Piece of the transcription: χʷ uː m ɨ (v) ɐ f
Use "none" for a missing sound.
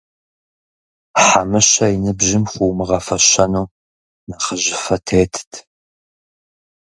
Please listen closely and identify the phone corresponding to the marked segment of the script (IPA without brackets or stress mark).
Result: ʁ